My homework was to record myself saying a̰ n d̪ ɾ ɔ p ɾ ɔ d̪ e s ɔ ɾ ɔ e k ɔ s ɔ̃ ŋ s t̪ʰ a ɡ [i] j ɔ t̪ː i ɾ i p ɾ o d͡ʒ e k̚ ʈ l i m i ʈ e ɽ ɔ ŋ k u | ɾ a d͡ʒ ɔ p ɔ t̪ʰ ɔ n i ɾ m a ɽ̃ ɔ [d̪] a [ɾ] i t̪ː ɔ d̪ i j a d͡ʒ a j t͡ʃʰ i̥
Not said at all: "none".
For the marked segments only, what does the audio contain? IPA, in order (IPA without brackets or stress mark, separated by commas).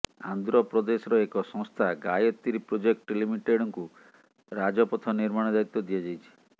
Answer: a, d̪, ɾ